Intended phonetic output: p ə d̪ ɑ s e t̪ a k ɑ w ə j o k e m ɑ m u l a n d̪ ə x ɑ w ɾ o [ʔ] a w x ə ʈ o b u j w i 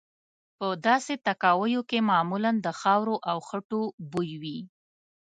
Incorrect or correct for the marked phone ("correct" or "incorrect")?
correct